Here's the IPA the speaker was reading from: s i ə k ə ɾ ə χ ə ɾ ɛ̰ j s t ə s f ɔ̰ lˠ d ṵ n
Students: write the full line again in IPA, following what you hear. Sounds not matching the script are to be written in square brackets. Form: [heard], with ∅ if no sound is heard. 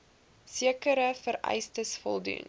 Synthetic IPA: s i ə k ə ɾ ə [f] ə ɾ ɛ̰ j s t ə s f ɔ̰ lˠ d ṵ n